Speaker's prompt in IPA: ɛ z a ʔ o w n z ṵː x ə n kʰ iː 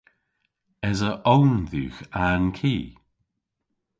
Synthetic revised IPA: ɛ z ə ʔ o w n ð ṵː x a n kʰ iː

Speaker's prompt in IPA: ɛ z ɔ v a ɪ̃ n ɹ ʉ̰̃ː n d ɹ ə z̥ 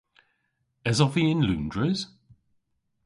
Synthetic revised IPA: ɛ z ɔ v i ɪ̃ n l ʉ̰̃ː n d ɹ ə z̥

